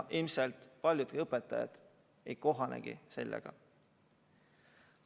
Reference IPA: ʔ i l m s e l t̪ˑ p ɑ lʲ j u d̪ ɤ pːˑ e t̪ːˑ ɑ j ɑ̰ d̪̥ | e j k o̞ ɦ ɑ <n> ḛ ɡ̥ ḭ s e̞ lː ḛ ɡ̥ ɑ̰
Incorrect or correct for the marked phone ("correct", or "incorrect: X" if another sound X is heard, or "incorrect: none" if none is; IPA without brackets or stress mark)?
correct